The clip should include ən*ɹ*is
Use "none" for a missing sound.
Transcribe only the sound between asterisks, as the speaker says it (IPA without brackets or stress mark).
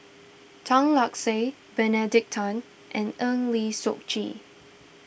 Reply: l